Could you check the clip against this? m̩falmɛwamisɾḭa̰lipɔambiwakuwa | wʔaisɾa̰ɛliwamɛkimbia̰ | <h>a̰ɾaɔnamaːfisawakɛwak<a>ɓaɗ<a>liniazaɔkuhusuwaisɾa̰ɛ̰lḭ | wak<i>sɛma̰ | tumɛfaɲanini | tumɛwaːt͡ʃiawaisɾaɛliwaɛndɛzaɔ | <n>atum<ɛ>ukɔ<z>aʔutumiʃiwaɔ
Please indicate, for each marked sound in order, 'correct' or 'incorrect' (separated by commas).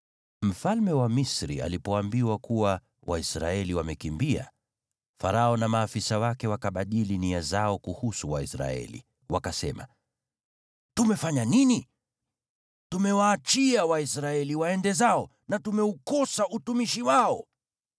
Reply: incorrect, correct, incorrect, incorrect, correct, correct, incorrect